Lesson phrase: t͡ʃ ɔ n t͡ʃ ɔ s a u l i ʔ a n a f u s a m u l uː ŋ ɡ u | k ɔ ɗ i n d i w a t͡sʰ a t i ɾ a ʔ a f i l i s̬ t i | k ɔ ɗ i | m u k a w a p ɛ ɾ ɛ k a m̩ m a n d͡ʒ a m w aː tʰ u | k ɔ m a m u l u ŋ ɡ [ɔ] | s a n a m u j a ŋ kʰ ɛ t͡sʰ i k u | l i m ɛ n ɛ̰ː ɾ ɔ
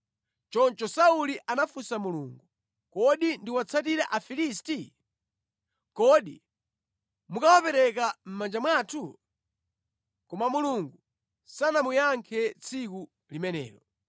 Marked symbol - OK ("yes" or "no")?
no